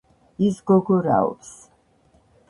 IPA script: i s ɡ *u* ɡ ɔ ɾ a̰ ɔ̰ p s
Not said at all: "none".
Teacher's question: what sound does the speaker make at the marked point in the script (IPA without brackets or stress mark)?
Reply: ɔ